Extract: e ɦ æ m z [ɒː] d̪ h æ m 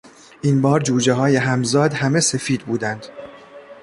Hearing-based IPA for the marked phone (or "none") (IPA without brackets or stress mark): ɒː